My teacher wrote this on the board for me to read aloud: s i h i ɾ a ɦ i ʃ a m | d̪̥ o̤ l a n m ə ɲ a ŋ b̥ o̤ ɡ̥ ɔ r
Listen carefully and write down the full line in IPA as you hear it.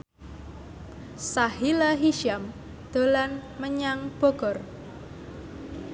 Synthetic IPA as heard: s a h i l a ɦ i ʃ a m | d̪̥ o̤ l a n m ə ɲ a ŋ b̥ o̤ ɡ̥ ɔ r